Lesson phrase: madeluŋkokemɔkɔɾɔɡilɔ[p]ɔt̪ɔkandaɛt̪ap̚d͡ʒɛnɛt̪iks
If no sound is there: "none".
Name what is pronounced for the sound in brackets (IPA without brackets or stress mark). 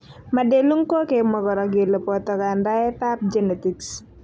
p